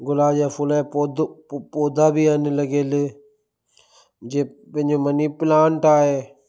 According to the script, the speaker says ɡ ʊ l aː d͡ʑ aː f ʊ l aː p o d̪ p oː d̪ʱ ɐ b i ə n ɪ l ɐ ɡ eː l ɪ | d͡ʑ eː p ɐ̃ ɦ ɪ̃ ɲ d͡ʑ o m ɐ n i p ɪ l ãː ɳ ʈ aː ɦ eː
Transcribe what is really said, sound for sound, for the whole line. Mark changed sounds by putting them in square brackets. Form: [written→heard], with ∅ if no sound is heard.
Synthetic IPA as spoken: ɡ ʊ l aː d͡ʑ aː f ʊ l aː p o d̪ p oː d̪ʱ [ɐ→a] b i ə n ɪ l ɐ ɡ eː l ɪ | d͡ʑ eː p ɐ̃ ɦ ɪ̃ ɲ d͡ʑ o m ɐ n i p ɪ l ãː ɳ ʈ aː ɦ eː